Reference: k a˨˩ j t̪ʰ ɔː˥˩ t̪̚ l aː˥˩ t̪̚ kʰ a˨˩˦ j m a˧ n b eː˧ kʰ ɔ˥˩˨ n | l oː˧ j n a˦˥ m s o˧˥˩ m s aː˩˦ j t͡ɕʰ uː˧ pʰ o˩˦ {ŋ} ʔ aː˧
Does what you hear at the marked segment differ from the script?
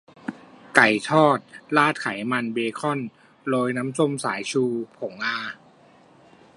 no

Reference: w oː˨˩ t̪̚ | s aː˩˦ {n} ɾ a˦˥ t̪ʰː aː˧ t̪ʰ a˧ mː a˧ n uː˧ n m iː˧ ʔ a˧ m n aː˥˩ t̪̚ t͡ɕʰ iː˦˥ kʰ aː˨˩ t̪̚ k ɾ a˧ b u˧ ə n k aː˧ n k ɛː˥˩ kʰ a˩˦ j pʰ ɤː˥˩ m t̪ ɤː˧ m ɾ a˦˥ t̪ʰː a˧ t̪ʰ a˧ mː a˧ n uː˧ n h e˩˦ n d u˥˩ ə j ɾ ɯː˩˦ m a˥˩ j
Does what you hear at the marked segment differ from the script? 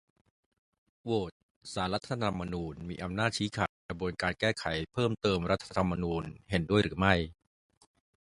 no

